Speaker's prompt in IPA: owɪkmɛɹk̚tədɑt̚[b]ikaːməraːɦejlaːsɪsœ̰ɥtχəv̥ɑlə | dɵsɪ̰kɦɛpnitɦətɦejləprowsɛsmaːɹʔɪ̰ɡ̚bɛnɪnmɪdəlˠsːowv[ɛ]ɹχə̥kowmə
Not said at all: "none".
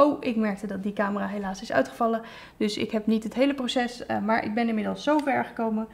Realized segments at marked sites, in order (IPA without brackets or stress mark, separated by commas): d, ɛ